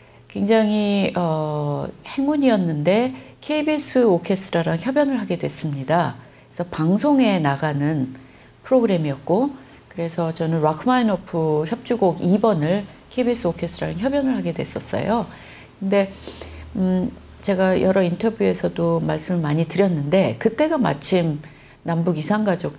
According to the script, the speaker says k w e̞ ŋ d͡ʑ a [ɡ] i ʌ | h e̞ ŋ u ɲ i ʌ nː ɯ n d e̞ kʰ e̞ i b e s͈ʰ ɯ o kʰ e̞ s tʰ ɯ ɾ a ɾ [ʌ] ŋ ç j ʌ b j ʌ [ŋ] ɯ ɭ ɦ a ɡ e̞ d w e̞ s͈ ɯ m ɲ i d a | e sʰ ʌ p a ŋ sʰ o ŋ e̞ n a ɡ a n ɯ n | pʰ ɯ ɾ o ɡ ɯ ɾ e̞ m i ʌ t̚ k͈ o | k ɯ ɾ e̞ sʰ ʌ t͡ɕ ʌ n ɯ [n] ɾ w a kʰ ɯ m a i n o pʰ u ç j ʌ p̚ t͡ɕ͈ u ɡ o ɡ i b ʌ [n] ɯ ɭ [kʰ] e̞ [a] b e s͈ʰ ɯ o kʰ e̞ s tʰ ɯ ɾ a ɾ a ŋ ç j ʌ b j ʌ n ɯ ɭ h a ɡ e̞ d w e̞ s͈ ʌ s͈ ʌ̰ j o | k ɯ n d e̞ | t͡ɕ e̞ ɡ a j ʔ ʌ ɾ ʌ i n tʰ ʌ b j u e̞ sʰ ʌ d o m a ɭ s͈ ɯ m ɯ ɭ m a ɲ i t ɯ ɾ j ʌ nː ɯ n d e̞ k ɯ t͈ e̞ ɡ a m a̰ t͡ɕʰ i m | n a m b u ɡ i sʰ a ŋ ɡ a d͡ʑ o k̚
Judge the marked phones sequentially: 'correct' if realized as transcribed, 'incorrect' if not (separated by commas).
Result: incorrect, incorrect, incorrect, correct, correct, correct, incorrect